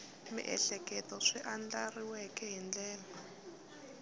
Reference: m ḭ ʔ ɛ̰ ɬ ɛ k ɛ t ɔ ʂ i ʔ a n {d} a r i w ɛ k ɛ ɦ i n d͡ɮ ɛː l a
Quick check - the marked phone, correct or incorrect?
incorrect